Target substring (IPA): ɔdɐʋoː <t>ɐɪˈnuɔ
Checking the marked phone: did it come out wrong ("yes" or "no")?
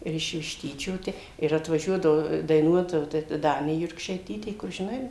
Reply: yes